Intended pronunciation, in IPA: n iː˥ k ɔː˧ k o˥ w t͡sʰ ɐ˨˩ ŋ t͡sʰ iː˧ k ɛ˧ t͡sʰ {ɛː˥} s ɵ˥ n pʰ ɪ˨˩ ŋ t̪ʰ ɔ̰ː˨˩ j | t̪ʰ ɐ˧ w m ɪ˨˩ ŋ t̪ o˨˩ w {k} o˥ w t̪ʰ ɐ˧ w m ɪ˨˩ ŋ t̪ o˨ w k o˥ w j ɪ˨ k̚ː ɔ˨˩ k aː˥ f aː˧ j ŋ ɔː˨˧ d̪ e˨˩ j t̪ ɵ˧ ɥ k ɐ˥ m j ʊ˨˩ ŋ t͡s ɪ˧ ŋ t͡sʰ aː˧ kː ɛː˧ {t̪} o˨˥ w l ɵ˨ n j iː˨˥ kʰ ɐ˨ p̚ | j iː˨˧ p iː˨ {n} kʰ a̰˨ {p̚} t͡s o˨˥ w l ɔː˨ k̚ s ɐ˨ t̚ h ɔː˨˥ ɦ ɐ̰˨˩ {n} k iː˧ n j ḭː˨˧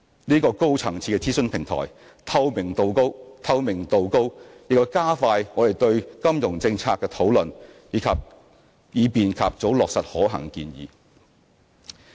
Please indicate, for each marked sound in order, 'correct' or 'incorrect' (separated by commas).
incorrect, correct, incorrect, correct, correct, incorrect